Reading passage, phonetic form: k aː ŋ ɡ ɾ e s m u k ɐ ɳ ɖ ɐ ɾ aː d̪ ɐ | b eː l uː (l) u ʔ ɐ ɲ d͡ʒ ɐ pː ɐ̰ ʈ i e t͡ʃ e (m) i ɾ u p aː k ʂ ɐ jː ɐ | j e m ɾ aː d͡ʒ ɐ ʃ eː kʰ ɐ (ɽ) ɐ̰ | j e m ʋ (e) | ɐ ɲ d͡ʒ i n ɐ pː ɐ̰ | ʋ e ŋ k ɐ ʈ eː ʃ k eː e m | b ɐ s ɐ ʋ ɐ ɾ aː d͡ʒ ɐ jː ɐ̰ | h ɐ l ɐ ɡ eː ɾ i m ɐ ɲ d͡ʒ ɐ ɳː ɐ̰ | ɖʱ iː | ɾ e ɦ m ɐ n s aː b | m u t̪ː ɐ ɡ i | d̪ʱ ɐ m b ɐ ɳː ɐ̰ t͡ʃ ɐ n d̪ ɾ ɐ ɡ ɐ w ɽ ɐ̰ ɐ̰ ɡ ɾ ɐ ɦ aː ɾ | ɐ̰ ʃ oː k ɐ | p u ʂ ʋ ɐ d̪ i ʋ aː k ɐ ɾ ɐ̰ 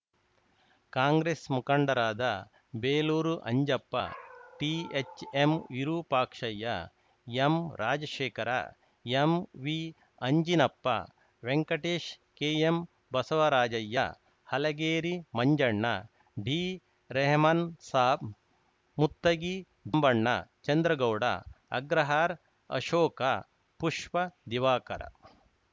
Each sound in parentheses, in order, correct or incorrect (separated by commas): incorrect, correct, incorrect, incorrect